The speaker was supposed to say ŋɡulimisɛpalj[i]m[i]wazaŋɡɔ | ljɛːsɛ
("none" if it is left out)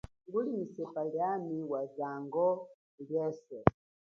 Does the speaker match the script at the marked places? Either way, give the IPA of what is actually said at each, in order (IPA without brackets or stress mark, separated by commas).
a, i